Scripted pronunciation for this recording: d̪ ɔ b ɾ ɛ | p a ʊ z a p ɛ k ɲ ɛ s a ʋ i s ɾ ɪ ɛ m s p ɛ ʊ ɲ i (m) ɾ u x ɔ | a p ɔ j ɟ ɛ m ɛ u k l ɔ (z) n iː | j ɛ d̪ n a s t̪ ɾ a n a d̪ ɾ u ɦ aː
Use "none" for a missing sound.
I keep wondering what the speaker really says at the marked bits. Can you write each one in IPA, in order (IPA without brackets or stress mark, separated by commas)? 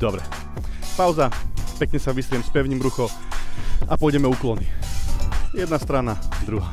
m, none